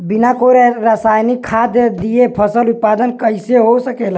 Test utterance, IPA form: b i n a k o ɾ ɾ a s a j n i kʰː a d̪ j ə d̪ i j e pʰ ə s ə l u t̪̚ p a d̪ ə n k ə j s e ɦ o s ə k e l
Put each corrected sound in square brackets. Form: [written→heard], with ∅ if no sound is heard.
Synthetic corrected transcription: b i n a k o ɾ ɾ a s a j n i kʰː a d̪ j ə d̪ i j e pʰ ə s ə l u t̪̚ p a d̪ ə n k ə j s e ɦ o s ə k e l